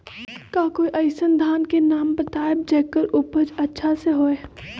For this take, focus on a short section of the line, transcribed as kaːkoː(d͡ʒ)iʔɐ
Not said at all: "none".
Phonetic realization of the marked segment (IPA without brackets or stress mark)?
none